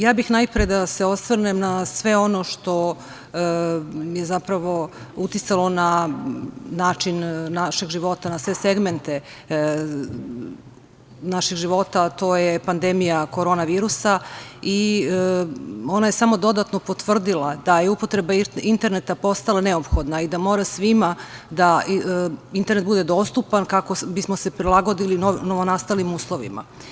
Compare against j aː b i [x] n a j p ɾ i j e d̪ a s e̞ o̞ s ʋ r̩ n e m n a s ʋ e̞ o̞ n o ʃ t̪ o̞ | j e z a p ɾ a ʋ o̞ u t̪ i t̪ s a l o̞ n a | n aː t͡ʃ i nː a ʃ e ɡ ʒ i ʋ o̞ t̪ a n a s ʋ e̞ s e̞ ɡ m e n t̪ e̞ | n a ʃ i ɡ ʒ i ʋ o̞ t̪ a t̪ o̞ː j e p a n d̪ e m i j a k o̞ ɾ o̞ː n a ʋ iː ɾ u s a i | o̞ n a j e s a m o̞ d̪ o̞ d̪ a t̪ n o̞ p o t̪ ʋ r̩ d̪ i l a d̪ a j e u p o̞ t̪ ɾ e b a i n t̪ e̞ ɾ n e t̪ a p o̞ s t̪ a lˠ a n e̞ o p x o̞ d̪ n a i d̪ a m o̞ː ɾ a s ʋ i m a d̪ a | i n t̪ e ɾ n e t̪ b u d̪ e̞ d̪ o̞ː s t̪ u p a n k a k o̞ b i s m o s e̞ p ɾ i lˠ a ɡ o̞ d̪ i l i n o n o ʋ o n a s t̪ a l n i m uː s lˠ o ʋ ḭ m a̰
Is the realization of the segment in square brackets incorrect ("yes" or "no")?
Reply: no